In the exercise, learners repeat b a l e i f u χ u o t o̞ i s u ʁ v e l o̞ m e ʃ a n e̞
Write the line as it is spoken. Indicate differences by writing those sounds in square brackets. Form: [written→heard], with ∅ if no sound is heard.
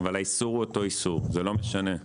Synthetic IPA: [b→v] a l [e→a] i [f→s] u [χ→ʁ] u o t o̞ i s u ʁ [v→z] e l o̞ m e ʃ a n e̞